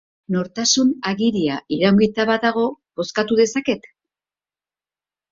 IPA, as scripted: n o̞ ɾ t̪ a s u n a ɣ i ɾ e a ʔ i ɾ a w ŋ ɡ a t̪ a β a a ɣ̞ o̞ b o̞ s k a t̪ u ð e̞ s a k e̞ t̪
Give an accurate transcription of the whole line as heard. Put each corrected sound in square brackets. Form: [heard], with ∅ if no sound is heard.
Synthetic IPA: n o̞ ɾ t̪ a s u n a ɣ i ɾ [i] a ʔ i ɾ a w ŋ ɡ [i] t̪ a β a a ɣ̞ o̞ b o̞ s k a t̪ u ð e̞ s a k e̞ t̪